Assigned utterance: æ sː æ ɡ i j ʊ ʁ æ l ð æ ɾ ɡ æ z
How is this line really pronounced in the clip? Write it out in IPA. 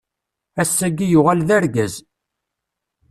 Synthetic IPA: æ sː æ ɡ i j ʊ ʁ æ l ð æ ɾ ɡ æ z